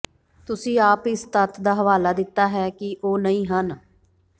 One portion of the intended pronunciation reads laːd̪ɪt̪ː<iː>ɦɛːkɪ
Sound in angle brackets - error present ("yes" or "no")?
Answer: yes